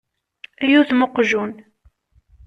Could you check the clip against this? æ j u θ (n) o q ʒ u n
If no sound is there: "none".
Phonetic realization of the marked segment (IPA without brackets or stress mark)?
m